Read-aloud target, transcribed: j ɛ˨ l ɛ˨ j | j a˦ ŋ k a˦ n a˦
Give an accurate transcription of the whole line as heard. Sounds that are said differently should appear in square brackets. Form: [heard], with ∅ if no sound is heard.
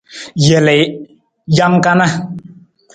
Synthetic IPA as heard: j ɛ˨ l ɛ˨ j | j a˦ ŋ k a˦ n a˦